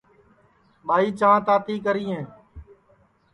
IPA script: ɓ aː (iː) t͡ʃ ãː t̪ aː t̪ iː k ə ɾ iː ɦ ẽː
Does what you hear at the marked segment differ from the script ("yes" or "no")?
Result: no